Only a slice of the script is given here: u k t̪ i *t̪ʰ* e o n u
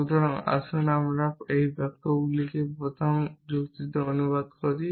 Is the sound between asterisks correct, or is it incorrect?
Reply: incorrect